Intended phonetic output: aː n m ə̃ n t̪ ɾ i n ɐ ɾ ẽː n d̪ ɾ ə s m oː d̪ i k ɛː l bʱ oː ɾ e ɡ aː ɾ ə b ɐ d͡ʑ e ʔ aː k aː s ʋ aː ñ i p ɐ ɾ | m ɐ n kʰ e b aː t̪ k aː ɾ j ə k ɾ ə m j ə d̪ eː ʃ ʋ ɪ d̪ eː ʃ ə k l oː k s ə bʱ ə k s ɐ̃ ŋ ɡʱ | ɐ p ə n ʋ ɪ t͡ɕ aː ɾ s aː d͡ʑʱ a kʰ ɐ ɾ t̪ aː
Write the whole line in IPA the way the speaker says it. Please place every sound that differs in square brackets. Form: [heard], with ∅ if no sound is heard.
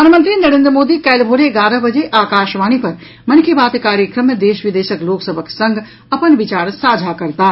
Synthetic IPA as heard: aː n m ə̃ n t̪ ɾ i n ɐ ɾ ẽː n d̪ ɾ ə [∅] m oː d̪ i k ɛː l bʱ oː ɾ e ɡ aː ɾ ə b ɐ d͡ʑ e ʔ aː k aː [ʃ] ʋ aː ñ i p ɐ ɾ | m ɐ n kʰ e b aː t̪ k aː ɾ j ə k ɾ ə m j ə d̪ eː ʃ ʋ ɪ d̪ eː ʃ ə k l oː k s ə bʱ ə k s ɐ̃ ŋ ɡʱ | ɐ p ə n ʋ ɪ t͡ɕ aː ɾ s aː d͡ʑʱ a [k] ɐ ɾ t̪ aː

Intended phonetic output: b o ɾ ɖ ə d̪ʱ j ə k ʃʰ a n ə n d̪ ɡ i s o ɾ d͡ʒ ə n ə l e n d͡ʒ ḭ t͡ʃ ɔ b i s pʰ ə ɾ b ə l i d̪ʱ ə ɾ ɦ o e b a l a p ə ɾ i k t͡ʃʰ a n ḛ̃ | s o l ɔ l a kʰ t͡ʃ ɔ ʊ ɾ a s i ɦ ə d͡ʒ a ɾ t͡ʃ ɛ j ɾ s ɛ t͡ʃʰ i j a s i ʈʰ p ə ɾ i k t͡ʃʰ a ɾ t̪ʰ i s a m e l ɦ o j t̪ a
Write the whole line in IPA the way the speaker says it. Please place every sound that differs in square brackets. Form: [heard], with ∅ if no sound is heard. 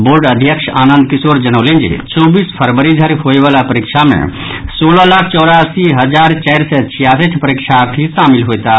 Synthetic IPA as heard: b o ɾ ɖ ə d̪ʱ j ə k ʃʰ a n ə n d̪ [k] i s o ɾ d͡ʒ ə n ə l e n d͡ʒ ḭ t͡ʃ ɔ b i s pʰ ə ɾ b ə [ɾ] i d̪ʱ ə ɾ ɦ o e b a l a p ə ɾ i k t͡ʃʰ a [m] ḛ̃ | s o l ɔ l a kʰ t͡ʃ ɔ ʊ ɾ a s i ɦ ə d͡ʒ a ɾ t͡ʃ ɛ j ɾ s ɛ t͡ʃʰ i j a s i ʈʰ p ə ɾ i k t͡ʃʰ a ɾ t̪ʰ i s a m [i] l ɦ o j t̪ a

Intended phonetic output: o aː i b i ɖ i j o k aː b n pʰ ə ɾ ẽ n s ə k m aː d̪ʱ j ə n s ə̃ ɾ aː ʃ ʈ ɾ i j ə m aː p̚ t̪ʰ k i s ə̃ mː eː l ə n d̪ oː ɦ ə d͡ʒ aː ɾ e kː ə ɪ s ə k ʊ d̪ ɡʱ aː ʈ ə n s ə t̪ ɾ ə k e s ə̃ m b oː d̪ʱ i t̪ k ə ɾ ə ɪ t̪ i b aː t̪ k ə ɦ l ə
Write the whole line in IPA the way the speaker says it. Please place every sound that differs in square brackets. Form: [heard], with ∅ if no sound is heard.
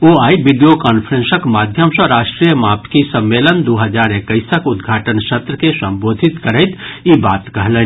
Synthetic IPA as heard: o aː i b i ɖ i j o k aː [∅] n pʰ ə ɾ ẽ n s ə k m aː d̪ʱ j ə [m] s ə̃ ɾ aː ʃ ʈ ɾ i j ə m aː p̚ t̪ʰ k i s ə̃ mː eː l ə n d̪ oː ɦ ə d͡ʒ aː ɾ e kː ə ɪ s ə k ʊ d̪ ɡʱ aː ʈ ə n s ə t̪ ɾ ə k e s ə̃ m b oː d̪ʱ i t̪ k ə ɾ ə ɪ t̪ i b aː t̪ k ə ɦ l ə

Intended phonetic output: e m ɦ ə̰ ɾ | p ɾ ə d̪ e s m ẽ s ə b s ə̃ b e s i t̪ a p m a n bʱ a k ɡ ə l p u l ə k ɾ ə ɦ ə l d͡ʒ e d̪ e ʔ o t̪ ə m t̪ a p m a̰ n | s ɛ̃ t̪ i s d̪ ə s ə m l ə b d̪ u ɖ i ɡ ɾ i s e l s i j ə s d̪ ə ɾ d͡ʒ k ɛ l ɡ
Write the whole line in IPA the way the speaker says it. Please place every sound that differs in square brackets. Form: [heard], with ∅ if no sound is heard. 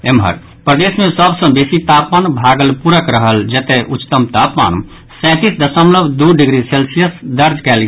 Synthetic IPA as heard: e m ɦ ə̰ ɾ | p ɾ ə d̪ e s m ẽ s ə b s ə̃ b e s i t̪ a p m a n bʱ a [∅] ɡ ə l p u [ɾ] ə k ɾ ə ɦ ə l d͡ʒ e [t̪] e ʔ [u] t̪ ə m t̪ a p m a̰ n | s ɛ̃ t̪ i s d̪ ə s ə m l ə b d̪ u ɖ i ɡ ɾ i s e l s i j ə s d̪ ə ɾ d͡ʒ k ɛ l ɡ

